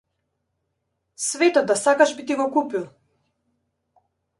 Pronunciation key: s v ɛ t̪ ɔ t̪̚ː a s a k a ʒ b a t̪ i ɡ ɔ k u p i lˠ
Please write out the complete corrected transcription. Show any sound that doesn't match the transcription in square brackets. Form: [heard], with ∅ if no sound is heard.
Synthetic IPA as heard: s v ɛ t̪ ɔ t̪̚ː a s a k a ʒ b [i] t̪ i ɡ ɔ k u p i lˠ